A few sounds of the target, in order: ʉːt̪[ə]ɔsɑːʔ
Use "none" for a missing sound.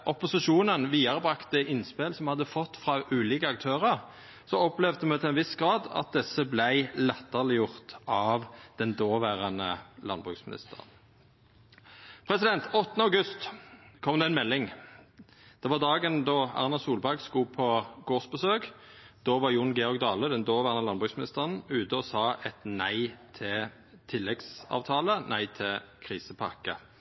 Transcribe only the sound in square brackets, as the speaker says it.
ə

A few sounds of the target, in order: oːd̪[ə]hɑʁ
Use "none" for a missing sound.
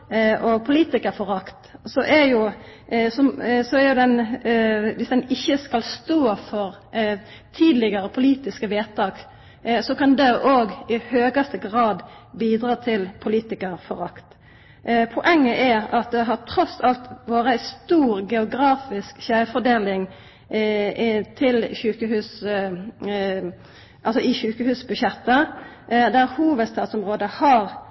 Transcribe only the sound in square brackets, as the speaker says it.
ə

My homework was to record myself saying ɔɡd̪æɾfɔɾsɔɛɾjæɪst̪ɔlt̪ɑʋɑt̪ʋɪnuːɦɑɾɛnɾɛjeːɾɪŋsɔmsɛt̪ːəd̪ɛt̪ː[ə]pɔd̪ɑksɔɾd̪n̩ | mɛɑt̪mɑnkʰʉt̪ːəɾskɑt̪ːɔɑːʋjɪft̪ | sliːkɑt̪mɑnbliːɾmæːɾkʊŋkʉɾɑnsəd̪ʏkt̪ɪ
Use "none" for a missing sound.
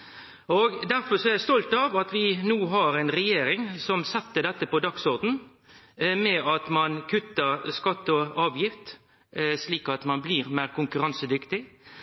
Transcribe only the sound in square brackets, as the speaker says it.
ə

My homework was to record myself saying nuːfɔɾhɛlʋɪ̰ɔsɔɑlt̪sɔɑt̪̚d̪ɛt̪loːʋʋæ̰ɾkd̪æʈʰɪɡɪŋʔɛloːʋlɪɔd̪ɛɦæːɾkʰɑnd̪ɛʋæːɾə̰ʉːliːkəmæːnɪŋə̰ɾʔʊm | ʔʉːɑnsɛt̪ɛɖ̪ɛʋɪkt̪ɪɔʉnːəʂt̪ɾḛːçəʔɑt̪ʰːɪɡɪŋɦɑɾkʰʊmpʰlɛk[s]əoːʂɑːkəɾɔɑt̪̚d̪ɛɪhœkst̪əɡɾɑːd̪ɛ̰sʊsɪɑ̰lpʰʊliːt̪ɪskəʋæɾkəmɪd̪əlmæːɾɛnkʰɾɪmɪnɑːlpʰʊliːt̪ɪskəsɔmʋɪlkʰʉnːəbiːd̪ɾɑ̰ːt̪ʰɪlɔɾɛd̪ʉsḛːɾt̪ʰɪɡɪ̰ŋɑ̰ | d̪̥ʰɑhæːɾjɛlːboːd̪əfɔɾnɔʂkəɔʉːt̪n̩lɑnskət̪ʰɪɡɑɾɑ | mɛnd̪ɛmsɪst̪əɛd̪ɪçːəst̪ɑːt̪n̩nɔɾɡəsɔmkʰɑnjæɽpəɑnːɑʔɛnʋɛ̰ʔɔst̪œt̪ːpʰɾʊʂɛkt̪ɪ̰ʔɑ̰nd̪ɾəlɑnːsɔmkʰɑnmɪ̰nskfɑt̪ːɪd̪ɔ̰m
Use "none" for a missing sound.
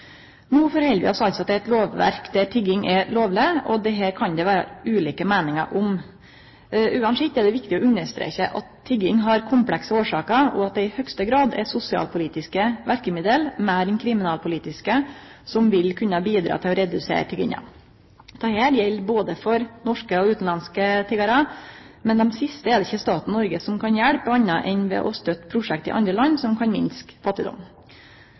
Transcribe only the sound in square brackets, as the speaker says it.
s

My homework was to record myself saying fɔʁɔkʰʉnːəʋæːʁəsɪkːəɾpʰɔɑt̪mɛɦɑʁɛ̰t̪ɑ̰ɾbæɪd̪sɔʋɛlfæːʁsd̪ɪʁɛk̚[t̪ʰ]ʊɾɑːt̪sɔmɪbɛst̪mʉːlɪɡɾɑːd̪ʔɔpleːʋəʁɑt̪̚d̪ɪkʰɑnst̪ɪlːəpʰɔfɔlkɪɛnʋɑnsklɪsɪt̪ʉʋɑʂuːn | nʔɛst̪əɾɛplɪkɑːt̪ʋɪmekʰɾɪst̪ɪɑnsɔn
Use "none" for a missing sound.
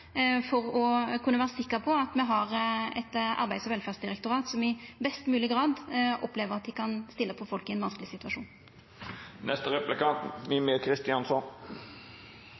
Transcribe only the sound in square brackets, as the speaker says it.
t̪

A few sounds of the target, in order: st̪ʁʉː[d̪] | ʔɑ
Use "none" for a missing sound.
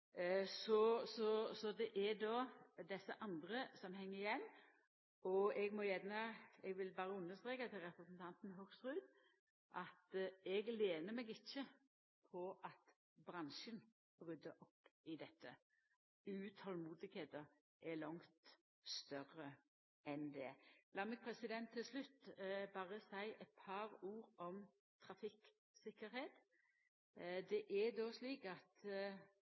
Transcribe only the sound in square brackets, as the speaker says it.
d̪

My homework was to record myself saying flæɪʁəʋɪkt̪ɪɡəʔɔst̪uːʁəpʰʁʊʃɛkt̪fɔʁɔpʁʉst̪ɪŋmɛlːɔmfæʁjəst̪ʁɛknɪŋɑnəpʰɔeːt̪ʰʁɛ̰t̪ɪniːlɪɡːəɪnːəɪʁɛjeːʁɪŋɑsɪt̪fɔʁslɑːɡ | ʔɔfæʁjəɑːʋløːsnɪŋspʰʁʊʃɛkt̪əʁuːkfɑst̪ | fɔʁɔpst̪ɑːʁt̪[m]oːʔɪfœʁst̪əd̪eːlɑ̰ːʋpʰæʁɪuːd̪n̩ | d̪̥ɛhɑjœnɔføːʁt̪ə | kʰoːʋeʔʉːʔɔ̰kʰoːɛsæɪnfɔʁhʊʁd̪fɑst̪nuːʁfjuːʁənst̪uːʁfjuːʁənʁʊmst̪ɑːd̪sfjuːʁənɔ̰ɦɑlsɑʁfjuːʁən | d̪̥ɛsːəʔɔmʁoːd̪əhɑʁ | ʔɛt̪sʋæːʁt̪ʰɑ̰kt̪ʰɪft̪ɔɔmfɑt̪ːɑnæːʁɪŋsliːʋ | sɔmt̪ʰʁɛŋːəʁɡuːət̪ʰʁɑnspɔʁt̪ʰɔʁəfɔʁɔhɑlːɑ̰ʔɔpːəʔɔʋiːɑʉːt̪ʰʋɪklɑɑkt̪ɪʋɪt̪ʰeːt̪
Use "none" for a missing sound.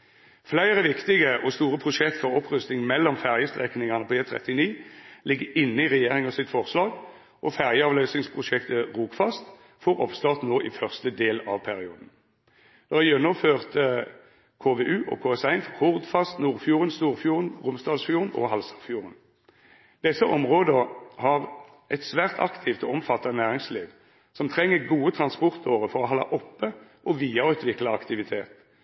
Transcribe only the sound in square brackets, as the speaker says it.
n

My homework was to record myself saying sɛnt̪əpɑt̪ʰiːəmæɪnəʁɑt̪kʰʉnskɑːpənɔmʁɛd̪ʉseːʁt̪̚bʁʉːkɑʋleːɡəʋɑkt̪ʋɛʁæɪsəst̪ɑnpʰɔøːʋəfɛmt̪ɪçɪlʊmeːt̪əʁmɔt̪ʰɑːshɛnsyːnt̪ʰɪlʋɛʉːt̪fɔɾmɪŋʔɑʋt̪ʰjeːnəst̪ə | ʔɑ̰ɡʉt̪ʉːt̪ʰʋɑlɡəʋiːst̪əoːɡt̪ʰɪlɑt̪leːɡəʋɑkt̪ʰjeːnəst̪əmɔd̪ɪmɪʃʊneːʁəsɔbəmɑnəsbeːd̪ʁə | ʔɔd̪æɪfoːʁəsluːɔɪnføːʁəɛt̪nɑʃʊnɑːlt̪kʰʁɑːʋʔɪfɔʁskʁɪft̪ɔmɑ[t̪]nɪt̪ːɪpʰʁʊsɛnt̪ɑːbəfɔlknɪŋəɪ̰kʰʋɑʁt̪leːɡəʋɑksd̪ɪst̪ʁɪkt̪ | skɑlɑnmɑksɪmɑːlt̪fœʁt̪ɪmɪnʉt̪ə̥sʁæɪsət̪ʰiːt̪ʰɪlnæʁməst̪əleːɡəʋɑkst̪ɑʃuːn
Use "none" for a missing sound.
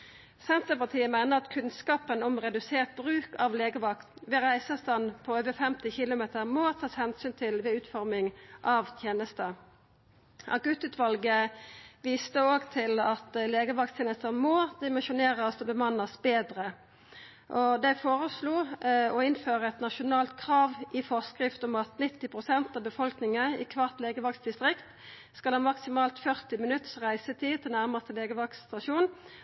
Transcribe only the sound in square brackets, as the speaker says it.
t̪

